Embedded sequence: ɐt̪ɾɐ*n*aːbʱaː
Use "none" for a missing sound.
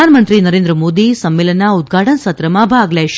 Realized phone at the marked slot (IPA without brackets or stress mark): m